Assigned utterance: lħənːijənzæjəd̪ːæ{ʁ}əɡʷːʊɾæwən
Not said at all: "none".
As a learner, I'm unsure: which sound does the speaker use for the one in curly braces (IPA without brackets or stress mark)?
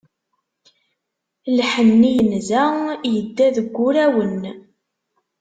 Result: ð